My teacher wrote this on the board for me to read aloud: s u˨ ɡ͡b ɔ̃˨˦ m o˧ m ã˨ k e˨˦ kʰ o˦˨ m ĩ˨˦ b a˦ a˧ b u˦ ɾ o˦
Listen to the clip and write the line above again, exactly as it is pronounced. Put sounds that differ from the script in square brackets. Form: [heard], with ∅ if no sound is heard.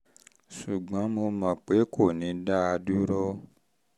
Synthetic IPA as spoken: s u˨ ɡ͡b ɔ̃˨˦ m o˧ m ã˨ [k͡p] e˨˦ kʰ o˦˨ [n] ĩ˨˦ [d] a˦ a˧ [d] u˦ ɾ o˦